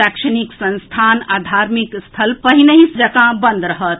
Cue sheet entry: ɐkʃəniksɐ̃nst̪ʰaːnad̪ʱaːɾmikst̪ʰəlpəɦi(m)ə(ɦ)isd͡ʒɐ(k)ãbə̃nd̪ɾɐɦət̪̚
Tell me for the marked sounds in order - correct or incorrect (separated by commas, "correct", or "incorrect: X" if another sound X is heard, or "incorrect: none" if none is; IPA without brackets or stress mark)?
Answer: incorrect: n, correct, correct